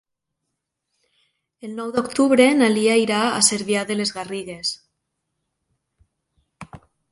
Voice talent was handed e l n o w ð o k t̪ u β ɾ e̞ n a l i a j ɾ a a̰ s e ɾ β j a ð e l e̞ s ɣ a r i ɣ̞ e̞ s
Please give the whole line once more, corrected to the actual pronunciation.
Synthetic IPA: e l n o w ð o k t̪ u β ɾ e̞ n a l i a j ɾ a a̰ s e ɾ β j a ð e l e̞ z ɣ a r i ɣ̞ e̞ s